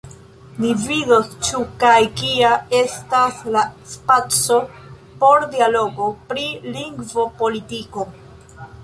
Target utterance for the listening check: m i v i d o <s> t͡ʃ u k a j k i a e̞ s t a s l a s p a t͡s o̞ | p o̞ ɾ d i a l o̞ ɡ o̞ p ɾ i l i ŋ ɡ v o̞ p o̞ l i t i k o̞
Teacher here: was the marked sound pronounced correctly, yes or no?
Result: yes